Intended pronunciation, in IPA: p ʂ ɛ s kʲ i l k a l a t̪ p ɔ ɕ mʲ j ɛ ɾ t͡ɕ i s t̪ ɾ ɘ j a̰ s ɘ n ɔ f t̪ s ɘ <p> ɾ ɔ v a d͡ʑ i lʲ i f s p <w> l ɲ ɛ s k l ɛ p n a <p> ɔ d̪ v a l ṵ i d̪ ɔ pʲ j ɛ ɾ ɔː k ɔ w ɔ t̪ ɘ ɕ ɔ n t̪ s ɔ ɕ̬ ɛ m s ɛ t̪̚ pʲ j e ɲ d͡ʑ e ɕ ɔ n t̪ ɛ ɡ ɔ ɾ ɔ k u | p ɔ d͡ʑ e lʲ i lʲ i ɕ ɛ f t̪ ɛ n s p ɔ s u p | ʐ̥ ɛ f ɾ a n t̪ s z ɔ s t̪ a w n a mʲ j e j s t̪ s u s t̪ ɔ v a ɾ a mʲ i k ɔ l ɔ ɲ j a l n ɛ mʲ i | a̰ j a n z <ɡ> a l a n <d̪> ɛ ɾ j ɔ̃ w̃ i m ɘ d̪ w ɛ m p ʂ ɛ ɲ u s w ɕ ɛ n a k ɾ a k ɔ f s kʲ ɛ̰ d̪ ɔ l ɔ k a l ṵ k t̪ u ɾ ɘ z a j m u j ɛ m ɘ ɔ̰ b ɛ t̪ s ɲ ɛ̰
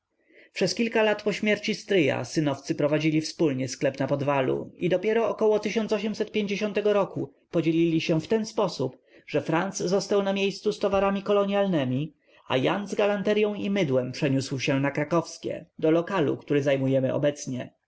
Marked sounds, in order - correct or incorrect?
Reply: correct, incorrect: u, correct, correct, incorrect: t̪

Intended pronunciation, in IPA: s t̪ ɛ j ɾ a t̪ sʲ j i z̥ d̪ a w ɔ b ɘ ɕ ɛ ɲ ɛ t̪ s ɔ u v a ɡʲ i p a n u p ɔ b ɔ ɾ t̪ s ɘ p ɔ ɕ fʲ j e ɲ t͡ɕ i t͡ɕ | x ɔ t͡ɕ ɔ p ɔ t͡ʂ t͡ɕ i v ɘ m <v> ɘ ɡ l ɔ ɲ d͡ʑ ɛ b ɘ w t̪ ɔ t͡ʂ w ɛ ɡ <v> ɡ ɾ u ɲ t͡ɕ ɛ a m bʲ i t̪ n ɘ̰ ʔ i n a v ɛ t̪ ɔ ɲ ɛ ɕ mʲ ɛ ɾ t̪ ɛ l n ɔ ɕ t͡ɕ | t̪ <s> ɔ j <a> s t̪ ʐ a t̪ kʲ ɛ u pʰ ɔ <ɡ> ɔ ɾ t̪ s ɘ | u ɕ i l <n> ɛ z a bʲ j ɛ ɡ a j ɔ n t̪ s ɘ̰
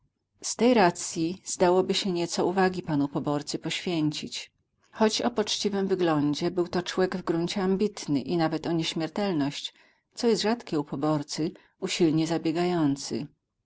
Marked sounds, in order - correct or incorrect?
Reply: correct, correct, correct, incorrect: ɛ, incorrect: b, incorrect: ɲ

